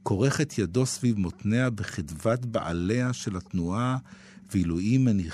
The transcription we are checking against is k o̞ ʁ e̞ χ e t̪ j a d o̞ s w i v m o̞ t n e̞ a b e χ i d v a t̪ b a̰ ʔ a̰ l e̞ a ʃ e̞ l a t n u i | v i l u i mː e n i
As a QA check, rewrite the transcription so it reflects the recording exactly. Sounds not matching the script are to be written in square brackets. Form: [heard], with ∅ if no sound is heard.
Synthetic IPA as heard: k o̞ ʁ e̞ χ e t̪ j a d o̞ s [v] i v m o̞ t n e̞ a b e χ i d v a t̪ b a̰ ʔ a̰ l e̞ a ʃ e̞ l a t n u [a] | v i l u i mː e n i